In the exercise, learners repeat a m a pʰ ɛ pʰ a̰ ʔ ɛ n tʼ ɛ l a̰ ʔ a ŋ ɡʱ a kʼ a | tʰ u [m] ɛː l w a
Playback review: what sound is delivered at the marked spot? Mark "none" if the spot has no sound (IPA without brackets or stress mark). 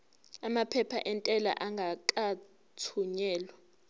ɲ